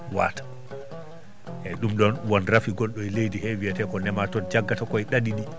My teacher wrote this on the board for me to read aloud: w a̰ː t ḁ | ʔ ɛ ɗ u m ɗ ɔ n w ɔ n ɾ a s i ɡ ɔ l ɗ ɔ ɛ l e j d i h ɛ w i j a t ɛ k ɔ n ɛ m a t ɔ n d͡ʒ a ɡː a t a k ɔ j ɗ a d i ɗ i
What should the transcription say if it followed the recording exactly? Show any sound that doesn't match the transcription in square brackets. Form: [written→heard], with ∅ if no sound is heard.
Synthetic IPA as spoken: w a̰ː t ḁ | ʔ ɛ ɗ u m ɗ ɔ n w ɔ n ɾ a [s→f] i ɡ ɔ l ɗ ɔ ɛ l e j d i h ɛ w i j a t ɛ k ɔ n ɛ m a t ɔ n d͡ʒ a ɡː a t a k ɔ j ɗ a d i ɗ i